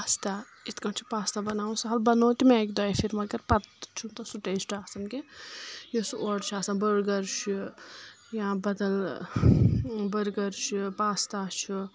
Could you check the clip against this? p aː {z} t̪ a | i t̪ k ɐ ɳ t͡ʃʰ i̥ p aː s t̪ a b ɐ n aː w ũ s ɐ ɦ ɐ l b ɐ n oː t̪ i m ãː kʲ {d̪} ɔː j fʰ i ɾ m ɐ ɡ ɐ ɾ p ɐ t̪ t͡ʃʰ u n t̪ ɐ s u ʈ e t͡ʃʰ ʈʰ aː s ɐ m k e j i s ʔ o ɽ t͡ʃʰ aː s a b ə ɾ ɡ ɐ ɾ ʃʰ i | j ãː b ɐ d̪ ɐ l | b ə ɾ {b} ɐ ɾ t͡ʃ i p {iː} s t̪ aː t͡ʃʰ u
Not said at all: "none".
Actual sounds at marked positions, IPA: s, d̪, ɡ, aː

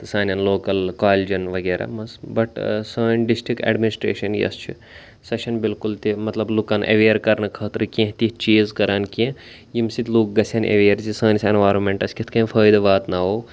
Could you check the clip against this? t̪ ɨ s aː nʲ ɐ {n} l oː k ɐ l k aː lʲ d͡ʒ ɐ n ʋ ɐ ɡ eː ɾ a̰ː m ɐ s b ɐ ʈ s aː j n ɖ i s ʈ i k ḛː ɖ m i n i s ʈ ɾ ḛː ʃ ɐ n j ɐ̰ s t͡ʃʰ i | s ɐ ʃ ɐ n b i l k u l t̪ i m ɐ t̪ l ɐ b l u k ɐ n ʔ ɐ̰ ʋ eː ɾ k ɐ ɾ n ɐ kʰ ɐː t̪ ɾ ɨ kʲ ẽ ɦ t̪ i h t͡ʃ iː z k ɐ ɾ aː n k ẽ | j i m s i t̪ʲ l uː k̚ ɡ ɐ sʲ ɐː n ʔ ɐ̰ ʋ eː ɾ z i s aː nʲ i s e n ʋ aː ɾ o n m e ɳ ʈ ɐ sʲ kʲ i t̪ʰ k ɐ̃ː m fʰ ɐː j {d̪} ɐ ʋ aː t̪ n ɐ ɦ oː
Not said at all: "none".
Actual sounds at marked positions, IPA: n, d̪

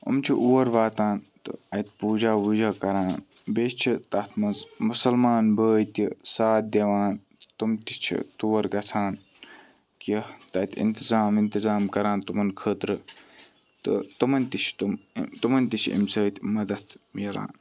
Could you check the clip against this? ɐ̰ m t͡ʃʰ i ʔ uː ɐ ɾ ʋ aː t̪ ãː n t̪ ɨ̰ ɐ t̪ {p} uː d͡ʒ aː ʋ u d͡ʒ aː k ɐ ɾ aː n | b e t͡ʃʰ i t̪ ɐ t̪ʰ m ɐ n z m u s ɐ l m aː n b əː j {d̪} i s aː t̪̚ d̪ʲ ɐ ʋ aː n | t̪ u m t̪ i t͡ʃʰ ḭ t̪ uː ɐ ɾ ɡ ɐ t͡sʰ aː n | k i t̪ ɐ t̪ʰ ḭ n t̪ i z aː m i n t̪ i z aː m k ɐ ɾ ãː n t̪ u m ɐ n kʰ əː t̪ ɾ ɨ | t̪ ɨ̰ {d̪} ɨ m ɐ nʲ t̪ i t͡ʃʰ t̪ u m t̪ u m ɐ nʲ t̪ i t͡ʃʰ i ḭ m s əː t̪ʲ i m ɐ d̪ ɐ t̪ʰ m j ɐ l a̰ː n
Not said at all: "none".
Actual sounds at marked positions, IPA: p, t̪, t̪

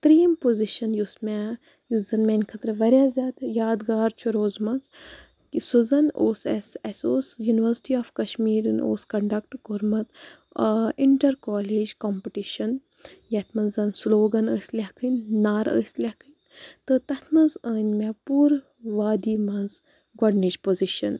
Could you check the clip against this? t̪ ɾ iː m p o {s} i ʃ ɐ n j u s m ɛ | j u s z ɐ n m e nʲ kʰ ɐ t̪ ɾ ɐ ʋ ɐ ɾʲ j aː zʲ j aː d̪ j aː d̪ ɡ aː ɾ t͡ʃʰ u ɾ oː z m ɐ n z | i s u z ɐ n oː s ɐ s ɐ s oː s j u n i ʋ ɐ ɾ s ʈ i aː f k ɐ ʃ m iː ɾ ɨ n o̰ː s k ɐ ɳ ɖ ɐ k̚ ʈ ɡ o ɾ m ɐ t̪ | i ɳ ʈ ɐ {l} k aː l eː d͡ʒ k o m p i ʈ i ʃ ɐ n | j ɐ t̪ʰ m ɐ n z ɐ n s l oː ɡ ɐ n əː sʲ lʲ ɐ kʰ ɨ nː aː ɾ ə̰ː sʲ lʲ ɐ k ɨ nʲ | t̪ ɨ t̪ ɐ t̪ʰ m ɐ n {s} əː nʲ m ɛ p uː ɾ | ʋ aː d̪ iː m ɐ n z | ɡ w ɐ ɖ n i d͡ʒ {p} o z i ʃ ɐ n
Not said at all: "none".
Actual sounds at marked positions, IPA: z, ɾ, z, p

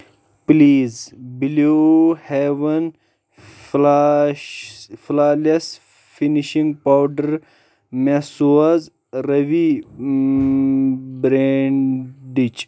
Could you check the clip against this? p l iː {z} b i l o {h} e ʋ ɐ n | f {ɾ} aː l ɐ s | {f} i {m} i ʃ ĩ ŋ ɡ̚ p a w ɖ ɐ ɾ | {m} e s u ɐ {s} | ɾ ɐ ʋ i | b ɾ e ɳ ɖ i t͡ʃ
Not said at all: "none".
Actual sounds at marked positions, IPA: z, h, l, f, n, m, z

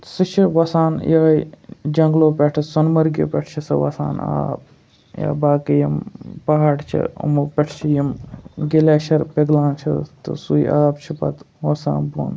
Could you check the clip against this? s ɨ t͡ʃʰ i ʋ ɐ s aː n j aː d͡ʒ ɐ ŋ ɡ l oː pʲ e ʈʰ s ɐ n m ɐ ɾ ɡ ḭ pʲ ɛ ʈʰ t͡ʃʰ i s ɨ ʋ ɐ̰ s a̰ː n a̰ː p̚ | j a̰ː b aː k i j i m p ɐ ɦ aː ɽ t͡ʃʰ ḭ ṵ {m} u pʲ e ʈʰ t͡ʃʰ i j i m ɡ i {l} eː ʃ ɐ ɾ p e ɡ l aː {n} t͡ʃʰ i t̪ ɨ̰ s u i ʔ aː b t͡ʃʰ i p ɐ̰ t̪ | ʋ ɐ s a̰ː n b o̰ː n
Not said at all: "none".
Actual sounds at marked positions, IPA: m, l, n

